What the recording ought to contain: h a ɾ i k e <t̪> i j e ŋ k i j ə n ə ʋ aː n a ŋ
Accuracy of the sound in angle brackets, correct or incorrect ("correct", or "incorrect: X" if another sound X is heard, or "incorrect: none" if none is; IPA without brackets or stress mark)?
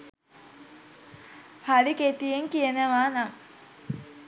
correct